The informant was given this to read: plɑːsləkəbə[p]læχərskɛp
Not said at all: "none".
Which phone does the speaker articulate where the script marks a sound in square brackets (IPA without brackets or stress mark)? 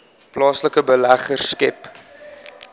none